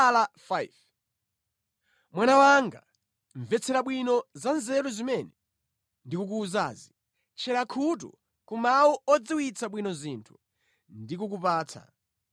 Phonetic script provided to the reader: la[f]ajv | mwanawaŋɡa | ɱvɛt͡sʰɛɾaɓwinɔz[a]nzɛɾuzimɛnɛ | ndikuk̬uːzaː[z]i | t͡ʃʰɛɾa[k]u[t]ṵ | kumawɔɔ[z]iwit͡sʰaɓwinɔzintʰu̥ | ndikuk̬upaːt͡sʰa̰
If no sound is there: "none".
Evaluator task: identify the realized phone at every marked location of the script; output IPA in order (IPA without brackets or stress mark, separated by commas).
f, a, z, kʰ, t, d͡z